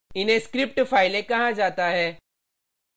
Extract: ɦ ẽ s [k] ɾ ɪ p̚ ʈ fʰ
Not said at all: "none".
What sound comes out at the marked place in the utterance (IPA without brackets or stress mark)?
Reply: k